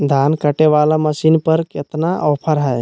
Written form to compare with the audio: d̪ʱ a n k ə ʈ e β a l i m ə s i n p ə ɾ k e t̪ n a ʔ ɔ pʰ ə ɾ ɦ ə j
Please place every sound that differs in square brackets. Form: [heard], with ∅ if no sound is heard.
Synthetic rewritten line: d̪ʱ a n k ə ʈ e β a l [a] m ə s i n p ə ɾ k e t̪ n a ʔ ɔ pʰ ə ɾ ɦ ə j